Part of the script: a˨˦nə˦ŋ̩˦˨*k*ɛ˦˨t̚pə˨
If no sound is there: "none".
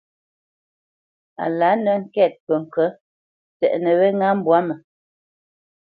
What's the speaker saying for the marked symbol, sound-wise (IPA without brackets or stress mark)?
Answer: k